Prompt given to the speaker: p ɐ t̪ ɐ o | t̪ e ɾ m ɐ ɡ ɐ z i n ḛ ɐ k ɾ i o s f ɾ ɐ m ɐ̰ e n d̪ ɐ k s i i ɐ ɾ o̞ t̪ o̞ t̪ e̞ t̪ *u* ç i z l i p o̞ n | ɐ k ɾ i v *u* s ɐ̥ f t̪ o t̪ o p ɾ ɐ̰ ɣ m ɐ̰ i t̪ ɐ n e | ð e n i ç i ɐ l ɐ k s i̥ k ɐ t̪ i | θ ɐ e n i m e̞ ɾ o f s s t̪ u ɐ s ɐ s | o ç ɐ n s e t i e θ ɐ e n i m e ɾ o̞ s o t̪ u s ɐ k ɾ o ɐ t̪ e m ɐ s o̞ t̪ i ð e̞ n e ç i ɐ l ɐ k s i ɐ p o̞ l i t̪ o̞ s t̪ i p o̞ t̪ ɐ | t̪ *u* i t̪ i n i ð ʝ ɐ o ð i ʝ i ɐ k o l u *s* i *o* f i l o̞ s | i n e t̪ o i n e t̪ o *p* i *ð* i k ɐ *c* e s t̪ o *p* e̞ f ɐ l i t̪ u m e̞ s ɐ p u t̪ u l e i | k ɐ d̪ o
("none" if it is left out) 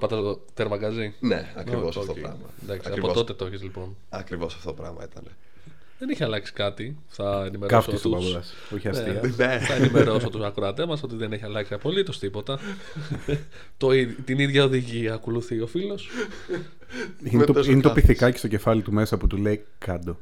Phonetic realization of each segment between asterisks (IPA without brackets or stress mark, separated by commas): o, o, o, θ, o, p, θ, c, c